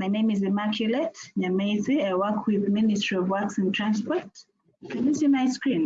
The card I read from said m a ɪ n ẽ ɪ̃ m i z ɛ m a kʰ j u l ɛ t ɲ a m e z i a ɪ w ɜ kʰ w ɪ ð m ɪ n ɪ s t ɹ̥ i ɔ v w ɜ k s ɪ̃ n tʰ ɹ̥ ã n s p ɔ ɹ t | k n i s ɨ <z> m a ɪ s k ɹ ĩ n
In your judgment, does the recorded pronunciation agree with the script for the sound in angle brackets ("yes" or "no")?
no